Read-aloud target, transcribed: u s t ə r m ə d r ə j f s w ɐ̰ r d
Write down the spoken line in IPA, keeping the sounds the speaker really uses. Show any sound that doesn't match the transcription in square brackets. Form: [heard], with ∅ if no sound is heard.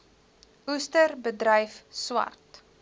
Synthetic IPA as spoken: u s t ə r [b] ə d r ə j f s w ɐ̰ r [t]